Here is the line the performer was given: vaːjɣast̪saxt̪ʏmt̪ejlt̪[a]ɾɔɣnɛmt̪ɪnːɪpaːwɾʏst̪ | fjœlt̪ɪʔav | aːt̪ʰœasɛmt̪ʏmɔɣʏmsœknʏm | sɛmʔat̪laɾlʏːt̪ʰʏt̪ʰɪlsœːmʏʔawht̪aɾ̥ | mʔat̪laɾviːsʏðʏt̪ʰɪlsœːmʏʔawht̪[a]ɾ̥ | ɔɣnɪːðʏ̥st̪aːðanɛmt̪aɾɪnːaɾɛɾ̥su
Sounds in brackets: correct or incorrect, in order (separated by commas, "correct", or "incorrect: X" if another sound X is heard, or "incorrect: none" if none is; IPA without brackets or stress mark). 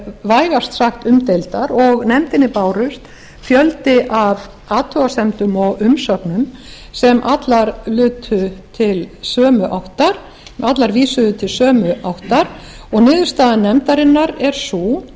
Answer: correct, correct